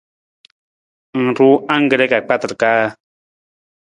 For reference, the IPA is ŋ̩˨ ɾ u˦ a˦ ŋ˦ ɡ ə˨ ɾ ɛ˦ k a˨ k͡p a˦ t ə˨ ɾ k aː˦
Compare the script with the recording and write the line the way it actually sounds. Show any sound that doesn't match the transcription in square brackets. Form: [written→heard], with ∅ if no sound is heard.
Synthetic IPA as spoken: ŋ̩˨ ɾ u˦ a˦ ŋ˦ ɡ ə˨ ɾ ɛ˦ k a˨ k͡p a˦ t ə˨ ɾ k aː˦

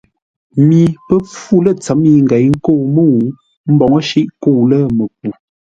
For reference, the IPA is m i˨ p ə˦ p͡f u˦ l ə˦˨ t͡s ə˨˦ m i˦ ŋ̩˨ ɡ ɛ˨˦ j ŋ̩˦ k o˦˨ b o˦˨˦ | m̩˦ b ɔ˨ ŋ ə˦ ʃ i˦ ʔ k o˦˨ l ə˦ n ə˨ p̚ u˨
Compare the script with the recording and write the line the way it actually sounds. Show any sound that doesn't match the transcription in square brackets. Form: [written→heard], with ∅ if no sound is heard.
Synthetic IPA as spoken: m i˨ p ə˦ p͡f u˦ l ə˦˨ t͡s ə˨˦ m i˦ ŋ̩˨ ɡ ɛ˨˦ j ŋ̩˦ k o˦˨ [b→m] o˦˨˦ | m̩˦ b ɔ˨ ŋ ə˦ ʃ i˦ ʔ k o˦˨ l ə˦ [n→m] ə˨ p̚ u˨

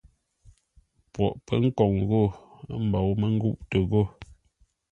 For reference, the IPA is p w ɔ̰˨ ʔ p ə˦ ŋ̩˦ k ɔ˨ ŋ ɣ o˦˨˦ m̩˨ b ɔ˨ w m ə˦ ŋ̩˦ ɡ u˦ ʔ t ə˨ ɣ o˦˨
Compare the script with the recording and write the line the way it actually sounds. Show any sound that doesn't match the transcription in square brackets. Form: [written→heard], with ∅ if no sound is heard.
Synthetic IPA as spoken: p w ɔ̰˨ ʔ p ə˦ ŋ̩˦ k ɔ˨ ŋ ɣ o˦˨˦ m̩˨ b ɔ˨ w m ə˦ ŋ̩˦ ɡ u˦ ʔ t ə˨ ɣ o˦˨

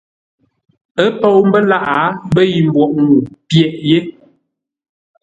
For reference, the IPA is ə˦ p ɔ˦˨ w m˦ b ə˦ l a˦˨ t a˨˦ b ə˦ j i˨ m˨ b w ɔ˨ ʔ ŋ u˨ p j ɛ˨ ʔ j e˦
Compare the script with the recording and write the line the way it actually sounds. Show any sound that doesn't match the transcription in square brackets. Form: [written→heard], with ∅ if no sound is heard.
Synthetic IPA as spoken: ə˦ p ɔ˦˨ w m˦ b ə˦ l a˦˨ [t→ʔ] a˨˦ b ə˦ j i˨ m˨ b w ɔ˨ ʔ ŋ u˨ p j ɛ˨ ʔ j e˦

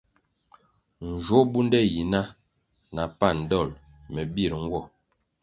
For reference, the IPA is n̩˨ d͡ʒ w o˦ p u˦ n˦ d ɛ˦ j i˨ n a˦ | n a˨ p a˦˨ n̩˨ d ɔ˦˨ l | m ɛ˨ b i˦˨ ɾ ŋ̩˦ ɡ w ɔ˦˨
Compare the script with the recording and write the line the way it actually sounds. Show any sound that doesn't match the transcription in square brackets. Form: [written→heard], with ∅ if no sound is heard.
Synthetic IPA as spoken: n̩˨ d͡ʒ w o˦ [p→b] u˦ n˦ d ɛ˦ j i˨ n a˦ | n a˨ p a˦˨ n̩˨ d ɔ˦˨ l | m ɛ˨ b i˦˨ ɾ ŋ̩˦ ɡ w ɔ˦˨

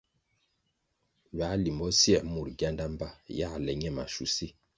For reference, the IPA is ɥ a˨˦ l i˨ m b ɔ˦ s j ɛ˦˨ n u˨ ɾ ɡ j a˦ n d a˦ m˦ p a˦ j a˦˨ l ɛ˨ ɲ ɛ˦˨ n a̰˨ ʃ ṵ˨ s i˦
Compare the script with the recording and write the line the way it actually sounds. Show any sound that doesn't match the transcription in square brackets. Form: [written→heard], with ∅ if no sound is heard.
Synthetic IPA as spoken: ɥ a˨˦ l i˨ m b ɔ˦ s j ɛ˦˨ [n→m] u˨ ɾ ɡ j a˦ n d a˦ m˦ [p→b] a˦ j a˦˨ l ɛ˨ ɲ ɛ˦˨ [n→m] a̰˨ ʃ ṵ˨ s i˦

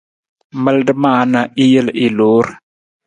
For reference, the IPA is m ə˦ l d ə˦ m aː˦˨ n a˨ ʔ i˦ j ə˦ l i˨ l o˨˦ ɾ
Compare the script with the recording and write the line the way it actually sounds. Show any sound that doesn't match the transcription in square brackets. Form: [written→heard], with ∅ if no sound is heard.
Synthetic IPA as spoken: m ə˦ l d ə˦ m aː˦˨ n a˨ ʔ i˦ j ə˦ l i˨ l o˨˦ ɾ

